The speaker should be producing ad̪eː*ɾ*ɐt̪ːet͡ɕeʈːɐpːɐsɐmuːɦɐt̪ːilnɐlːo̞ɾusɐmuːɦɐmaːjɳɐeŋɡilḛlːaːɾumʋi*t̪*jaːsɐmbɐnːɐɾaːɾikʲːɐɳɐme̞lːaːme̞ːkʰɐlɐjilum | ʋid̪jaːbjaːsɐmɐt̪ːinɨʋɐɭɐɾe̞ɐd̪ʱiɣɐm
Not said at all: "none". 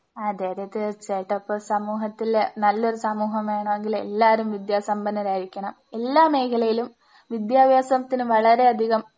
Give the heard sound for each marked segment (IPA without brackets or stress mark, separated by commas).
ɾ, d̪